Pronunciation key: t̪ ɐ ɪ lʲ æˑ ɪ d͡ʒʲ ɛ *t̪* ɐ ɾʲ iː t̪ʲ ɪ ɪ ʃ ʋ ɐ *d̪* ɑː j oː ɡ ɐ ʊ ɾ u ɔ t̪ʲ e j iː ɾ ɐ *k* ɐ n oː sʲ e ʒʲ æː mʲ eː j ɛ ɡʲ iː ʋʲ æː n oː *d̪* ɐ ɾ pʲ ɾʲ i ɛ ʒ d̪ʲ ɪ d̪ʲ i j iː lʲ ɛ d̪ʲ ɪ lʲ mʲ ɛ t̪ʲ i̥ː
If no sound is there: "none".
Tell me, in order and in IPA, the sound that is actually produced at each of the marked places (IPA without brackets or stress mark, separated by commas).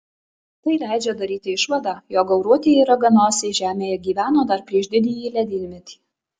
d̪, d̪, ɡ, d̪